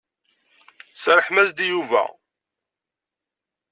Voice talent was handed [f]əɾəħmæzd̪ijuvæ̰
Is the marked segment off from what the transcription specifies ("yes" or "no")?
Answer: yes